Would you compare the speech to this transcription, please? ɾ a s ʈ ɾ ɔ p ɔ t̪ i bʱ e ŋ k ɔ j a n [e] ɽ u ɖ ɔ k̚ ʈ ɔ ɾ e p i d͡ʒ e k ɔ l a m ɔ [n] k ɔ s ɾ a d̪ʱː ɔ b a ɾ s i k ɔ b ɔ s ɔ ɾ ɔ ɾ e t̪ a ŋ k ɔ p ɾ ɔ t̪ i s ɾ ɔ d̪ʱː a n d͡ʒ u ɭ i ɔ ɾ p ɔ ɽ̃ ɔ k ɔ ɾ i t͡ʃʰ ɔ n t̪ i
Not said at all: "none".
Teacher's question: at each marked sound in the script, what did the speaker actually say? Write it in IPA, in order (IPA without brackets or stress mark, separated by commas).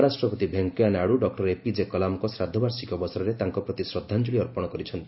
a, none